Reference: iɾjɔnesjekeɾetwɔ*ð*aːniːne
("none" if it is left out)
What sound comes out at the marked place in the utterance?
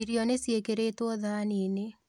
ð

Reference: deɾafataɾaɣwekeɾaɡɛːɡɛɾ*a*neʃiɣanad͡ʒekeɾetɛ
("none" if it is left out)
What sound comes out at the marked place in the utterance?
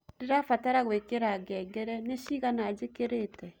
ɛ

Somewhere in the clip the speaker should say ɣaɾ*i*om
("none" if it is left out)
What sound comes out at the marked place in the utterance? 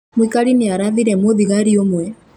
i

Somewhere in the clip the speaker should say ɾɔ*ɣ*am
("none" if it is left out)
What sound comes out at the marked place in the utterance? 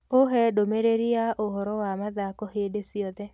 w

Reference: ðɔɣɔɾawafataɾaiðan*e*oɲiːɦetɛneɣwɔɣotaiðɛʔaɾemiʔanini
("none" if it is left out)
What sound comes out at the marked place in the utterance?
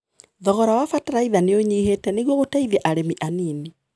e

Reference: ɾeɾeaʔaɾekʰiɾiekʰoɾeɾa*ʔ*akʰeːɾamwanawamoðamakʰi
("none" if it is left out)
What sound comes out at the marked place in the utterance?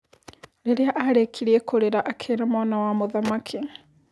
ʔ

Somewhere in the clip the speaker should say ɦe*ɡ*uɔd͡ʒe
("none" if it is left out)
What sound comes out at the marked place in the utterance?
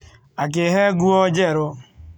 ɡ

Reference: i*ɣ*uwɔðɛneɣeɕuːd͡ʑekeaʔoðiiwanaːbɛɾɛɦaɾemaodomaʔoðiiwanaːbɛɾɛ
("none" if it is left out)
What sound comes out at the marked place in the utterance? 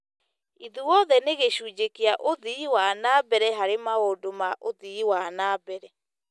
ð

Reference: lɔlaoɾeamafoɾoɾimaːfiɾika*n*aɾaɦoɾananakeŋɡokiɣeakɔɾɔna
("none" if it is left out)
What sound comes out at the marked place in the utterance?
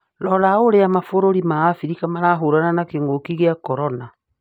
m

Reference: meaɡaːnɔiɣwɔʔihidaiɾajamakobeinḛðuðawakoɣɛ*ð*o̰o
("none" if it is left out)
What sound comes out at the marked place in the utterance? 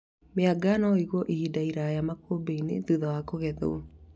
ð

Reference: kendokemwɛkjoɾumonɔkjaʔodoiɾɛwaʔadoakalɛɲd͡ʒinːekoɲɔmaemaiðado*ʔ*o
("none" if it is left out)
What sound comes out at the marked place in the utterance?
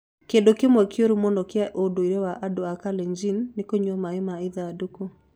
k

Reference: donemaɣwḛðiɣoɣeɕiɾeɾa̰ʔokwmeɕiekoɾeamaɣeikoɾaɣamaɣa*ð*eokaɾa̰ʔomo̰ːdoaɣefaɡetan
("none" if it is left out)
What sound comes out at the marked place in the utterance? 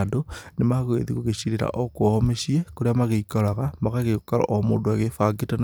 ɣ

